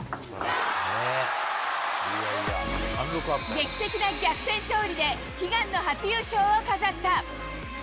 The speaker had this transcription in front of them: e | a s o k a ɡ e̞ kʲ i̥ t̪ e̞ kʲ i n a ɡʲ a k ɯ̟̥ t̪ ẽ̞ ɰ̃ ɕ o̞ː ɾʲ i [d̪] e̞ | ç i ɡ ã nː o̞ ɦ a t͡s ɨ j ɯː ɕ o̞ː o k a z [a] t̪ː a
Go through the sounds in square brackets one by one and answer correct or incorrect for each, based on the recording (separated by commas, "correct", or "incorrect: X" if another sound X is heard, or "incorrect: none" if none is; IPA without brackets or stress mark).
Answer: correct, correct